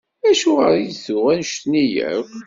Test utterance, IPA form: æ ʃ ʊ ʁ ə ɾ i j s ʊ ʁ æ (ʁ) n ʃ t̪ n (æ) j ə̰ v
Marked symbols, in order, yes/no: no, no

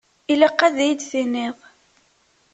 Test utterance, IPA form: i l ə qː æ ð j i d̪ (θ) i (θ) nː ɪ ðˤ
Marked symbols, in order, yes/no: yes, no

